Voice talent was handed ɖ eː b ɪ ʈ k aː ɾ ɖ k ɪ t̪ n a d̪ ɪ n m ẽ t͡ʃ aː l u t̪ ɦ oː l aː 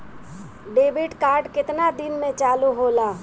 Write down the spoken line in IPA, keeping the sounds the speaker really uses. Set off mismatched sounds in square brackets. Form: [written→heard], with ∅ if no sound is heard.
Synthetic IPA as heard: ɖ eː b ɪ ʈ k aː ɾ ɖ k ɪ t̪ n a d̪ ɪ n m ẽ t͡ʃ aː l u [t̪→∅] ɦ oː l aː